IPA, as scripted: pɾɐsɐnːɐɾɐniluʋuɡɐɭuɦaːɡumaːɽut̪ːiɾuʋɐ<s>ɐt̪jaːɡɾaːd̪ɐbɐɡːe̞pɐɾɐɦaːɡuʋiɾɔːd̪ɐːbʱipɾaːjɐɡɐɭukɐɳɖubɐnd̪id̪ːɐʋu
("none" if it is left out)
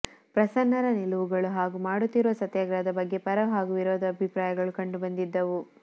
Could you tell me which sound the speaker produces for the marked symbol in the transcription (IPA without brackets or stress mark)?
s